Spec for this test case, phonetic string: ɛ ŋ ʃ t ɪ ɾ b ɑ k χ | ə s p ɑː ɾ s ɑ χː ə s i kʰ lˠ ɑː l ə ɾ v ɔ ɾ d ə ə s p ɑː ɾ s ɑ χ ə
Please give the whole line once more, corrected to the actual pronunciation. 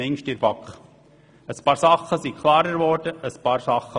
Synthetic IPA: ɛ ŋ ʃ t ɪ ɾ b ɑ k χ | ə s p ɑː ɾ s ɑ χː ə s i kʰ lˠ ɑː ɾ ə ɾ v ɔ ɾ d ə ə s p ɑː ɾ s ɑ χ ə